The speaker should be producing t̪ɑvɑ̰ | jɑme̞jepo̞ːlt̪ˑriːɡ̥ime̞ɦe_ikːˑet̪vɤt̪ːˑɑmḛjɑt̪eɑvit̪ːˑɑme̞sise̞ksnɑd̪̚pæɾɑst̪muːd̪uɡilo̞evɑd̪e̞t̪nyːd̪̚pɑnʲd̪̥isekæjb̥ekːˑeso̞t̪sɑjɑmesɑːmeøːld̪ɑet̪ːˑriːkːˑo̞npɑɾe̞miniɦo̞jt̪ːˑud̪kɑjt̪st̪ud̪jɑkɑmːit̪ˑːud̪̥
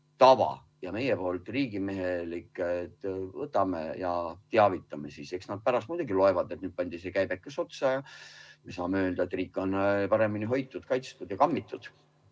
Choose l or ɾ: l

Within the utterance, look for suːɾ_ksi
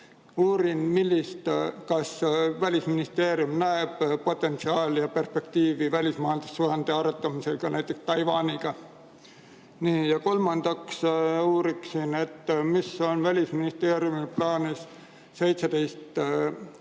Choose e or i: i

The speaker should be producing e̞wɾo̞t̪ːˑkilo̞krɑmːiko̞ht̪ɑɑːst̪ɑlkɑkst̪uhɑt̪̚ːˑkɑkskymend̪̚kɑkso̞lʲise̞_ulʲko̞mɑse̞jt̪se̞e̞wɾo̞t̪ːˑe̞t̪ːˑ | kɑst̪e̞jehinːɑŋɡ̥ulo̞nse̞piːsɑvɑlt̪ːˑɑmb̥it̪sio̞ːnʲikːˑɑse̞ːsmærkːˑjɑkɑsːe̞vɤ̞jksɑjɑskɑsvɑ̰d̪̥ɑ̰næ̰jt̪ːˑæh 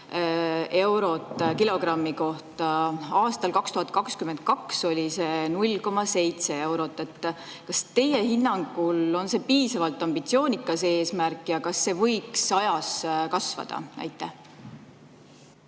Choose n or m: n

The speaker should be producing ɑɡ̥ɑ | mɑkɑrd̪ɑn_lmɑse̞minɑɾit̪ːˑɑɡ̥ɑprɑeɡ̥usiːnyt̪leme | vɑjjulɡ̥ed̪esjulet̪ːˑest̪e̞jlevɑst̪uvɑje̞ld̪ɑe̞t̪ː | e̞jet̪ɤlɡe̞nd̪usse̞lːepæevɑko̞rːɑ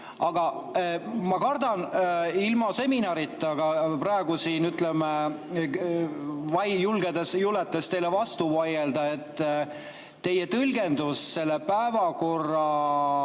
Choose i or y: i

